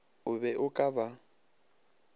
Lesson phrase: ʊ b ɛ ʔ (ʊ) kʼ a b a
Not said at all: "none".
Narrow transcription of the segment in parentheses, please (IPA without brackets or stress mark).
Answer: ʊ